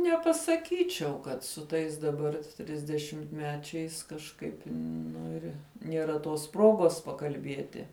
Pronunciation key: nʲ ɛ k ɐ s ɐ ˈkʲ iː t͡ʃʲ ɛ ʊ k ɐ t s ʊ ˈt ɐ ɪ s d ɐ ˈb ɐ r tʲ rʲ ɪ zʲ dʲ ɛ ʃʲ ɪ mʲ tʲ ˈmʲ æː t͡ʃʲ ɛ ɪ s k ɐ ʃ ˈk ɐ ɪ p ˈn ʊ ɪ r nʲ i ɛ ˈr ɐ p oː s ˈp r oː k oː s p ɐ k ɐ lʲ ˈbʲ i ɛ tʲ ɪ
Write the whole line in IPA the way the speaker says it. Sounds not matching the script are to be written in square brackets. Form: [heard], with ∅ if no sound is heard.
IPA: nʲ ɛ [p] ɐ s ɐ ˈkʲ iː t͡ʃʲ ɛ ʊ k ɐ t s ʊ ˈt ɐ ɪ s d ɐ ˈb ɐ r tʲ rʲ ɪ zʲ dʲ ɛ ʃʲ ɪ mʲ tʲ ˈmʲ æː t͡ʃʲ ɛ ɪ s k ɐ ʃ ˈk ɐ ɪ p ˈn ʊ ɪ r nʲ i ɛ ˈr ɐ [t] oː s ˈp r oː [ɡ] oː s p ɐ k ɐ lʲ ˈbʲ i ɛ tʲ ɪ